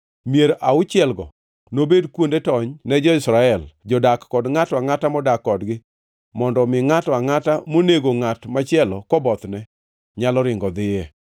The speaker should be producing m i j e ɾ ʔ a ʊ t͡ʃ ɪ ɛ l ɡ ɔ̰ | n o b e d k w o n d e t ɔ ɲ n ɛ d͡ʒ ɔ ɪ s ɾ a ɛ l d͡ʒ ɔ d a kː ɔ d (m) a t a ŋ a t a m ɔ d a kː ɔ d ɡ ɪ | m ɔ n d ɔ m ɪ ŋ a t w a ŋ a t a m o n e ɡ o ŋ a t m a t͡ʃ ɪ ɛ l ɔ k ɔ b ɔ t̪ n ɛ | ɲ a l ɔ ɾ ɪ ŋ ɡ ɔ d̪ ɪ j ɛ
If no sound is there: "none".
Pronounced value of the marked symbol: ŋ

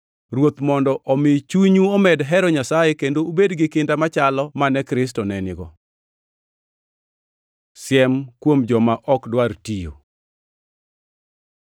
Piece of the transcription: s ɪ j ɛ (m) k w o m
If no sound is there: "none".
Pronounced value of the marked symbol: m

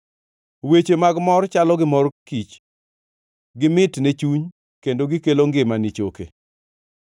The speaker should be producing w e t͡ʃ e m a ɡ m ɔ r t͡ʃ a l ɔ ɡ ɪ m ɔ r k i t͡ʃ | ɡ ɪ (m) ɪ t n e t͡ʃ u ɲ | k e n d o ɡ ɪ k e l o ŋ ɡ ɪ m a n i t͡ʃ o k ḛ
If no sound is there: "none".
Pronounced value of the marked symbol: m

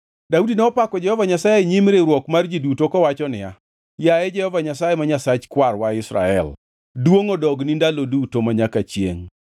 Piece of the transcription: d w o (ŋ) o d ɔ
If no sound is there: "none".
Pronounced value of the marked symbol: ŋ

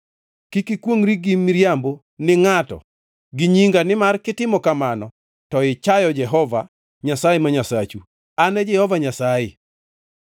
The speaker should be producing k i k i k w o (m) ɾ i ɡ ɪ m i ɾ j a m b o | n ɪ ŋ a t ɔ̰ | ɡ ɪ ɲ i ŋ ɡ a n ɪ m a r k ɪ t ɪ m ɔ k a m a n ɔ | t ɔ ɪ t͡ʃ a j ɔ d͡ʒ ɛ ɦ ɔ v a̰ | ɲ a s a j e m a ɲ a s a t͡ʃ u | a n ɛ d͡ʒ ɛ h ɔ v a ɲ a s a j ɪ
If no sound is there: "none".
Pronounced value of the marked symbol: ŋ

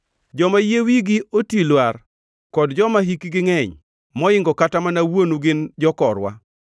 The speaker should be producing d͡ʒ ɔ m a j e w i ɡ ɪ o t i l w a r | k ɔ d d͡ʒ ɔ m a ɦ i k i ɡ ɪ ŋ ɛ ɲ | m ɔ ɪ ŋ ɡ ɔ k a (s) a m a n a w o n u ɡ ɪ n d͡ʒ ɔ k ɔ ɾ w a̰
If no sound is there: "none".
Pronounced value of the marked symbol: t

